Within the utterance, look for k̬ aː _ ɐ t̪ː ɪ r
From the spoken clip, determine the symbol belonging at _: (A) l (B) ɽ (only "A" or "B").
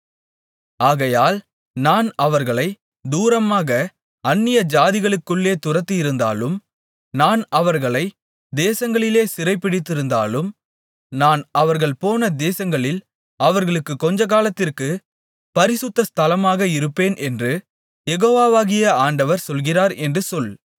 A